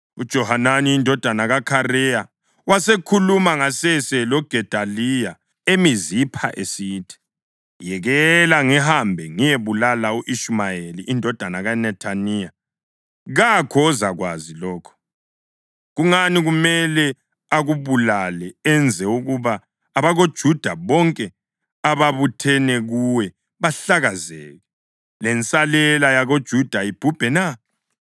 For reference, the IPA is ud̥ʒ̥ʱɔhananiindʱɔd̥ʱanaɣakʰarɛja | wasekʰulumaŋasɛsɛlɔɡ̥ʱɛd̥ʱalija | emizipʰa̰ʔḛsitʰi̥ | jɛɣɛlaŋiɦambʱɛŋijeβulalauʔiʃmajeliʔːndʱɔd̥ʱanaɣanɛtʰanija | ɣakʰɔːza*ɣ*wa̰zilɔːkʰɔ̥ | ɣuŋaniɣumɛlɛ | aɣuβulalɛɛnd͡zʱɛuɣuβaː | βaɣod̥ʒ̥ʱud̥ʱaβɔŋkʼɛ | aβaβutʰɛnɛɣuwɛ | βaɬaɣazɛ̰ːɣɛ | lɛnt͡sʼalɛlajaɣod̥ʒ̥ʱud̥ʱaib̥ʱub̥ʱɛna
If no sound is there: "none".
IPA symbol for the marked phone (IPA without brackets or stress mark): ɣ